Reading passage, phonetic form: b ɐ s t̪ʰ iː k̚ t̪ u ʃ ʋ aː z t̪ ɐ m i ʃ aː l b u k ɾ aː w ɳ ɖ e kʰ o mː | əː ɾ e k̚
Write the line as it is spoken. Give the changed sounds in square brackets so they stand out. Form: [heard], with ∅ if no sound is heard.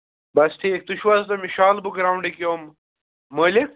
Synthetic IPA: b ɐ s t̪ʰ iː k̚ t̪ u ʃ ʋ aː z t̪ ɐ m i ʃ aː l b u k ɾ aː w ɳ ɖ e [k] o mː | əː [l] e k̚